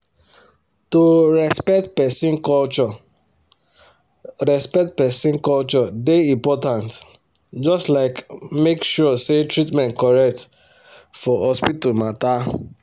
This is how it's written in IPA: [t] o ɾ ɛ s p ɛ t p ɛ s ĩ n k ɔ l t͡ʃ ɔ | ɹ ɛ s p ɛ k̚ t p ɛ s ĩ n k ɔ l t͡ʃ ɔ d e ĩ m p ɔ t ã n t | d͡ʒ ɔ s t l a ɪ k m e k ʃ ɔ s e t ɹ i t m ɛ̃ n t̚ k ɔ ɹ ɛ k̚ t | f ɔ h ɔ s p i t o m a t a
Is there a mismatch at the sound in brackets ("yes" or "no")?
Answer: no